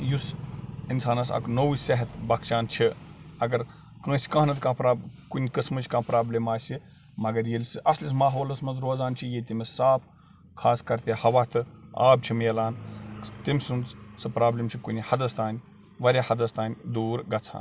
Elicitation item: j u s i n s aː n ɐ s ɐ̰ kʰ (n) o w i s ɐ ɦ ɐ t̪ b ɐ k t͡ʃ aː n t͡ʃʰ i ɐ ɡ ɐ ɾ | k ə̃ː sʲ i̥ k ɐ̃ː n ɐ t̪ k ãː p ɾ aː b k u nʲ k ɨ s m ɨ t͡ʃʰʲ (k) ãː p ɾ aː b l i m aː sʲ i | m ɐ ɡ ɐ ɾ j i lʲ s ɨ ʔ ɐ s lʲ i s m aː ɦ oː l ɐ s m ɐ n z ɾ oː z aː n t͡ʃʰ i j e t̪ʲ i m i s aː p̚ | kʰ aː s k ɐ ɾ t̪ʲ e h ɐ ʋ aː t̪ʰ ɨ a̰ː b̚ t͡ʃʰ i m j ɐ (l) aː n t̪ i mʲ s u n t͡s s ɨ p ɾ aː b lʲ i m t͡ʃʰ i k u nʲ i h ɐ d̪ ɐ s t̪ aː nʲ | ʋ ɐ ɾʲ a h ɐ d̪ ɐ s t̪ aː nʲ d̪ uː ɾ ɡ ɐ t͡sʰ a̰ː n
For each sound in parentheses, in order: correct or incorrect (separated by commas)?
correct, correct, correct